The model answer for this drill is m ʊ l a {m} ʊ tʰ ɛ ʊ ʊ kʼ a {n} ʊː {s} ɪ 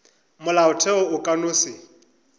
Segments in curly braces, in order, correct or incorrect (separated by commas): incorrect, correct, correct